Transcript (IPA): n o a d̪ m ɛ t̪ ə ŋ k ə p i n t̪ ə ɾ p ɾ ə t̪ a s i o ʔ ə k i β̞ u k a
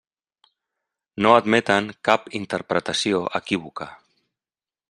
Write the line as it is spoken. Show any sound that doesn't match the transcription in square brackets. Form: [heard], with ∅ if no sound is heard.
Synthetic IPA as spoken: n o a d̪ m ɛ t̪ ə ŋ k [a] p i n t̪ ə ɾ p ɾ ə t̪ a s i o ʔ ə k i β̞ u k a